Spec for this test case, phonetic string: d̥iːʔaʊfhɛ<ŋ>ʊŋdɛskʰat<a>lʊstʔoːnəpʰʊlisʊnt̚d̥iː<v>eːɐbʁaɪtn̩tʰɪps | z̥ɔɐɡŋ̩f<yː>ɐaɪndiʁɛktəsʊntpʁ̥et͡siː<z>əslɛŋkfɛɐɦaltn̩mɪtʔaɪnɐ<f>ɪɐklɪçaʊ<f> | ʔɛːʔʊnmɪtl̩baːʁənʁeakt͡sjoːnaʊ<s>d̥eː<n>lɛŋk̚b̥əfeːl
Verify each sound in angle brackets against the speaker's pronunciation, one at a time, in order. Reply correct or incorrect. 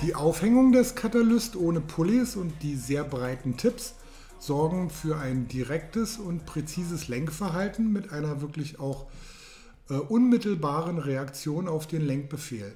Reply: correct, correct, incorrect, correct, correct, incorrect, incorrect, incorrect, correct

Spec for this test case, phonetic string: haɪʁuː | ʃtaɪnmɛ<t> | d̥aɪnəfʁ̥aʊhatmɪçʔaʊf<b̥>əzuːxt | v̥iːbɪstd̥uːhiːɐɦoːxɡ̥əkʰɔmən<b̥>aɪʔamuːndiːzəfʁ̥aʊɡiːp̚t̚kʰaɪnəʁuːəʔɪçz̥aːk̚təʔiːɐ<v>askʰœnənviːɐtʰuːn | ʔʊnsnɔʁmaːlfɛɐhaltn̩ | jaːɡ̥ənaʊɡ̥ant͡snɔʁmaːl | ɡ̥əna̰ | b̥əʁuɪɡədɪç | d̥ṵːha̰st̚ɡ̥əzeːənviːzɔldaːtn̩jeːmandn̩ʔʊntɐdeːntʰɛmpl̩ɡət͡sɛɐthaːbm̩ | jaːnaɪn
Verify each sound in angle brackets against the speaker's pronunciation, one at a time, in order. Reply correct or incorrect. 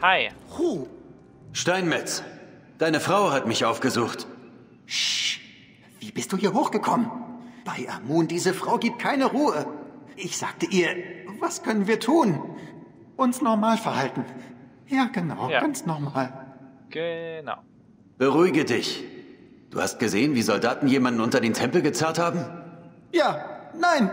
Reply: incorrect, incorrect, correct, correct

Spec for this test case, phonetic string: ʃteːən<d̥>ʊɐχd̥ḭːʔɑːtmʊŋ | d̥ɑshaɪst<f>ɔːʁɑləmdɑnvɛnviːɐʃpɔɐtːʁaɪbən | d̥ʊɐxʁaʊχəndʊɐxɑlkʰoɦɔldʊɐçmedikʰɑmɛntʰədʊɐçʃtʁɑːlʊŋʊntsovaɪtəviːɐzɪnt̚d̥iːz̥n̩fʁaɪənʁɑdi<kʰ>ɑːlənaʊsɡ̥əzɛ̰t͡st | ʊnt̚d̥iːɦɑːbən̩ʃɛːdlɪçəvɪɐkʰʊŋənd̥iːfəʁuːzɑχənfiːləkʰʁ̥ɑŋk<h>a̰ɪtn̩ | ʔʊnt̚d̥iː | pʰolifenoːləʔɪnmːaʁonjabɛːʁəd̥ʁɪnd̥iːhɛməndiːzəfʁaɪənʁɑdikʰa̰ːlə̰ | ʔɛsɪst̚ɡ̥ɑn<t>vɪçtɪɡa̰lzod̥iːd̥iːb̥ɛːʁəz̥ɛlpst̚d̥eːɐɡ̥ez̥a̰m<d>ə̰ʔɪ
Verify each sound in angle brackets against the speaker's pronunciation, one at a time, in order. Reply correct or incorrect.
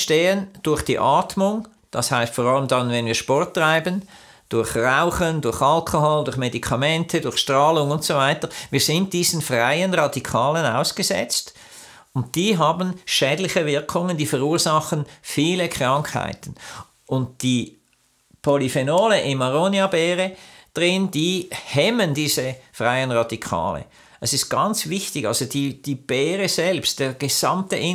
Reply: correct, correct, correct, correct, incorrect, incorrect

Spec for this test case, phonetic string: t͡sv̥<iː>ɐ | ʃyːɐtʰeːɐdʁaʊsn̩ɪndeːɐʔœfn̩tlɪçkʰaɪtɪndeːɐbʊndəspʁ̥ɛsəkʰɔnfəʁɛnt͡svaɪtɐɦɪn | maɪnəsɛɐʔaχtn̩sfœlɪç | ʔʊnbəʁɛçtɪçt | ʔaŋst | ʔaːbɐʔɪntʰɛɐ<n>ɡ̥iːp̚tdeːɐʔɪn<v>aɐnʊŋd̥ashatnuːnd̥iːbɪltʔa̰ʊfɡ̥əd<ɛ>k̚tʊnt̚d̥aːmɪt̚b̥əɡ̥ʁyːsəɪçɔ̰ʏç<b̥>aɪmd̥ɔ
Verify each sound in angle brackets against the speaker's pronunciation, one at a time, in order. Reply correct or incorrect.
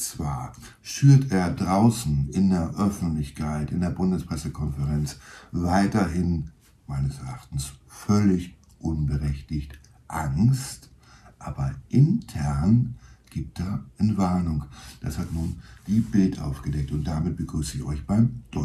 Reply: incorrect, correct, correct, correct, correct

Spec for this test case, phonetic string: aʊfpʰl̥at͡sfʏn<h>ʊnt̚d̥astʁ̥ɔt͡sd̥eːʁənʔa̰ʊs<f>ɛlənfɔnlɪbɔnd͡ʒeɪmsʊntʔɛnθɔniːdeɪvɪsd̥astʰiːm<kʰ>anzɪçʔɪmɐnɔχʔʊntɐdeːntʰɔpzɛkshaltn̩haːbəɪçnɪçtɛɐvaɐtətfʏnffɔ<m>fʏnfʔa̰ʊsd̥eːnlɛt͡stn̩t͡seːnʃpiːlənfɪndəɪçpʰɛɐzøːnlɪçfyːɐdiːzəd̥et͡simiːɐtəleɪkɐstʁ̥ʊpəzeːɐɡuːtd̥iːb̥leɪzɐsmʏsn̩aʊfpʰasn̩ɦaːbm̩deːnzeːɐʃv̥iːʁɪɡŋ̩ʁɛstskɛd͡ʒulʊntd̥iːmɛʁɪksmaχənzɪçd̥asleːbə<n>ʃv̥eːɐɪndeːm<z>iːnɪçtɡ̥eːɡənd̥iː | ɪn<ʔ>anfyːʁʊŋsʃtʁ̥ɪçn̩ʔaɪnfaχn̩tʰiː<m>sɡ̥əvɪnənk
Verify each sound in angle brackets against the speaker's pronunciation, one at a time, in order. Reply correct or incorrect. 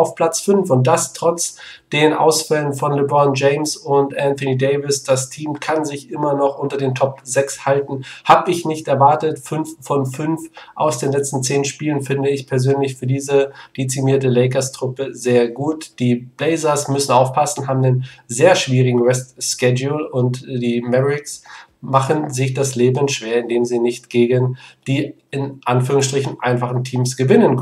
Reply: incorrect, correct, correct, incorrect, correct, correct, correct, correct

